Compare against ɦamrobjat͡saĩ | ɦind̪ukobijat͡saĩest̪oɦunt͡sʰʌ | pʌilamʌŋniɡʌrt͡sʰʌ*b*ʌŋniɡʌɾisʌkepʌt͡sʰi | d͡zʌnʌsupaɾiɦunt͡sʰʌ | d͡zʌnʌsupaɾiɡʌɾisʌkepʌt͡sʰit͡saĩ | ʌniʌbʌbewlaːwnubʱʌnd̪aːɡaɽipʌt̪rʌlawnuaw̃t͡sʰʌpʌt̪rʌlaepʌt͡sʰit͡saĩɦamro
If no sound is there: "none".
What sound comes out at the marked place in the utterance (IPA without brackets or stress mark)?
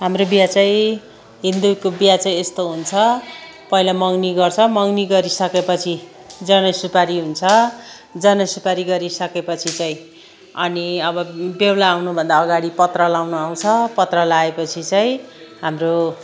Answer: m